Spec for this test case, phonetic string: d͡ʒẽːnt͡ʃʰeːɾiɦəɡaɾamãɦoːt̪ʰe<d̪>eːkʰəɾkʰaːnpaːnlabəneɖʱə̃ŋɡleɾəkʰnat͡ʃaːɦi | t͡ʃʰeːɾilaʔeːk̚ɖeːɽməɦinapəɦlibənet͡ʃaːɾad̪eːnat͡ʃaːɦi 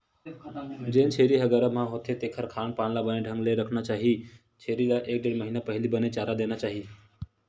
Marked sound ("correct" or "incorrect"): incorrect